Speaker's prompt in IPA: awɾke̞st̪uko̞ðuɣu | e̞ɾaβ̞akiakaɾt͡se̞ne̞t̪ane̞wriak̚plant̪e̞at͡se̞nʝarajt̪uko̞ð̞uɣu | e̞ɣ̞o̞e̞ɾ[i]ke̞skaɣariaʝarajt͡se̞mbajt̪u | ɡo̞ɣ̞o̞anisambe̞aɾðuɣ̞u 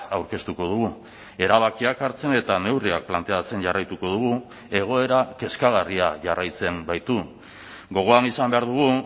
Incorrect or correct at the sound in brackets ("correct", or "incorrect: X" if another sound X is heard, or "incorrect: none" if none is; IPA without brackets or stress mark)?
incorrect: a